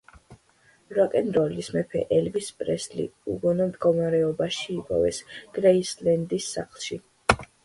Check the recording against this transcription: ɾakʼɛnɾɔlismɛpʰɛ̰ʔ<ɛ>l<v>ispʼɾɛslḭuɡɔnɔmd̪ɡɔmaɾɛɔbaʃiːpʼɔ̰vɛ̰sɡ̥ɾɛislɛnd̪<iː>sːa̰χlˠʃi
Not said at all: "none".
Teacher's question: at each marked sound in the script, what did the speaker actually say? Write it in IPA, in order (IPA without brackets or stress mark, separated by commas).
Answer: ɛ, v, i